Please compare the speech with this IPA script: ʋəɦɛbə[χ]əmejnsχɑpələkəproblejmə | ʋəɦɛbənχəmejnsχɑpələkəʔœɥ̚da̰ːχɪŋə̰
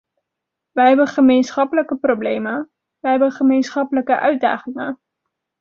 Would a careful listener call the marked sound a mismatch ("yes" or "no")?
no